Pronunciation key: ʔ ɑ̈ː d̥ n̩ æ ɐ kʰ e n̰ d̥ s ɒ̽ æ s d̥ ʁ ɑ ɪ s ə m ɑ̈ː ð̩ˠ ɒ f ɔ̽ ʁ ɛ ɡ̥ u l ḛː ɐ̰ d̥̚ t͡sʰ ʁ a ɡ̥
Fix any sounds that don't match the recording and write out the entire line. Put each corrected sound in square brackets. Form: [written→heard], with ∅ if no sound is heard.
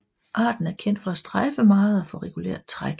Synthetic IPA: ʔ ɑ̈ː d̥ n̩ æ ɐ kʰ e n̰ d̥ [s→f] ɒ̽ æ s d̥ ʁ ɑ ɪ [s→f] ə m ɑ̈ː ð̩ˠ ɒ f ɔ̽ ʁ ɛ ɡ̥ u l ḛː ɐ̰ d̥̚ t͡sʰ ʁ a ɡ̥